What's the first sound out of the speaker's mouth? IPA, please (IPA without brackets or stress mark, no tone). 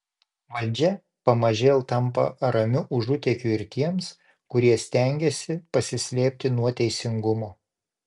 ʋ